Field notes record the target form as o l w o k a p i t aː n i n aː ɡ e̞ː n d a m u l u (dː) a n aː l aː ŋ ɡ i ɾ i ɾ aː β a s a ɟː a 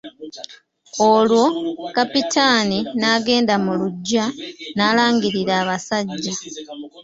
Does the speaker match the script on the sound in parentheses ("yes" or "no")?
no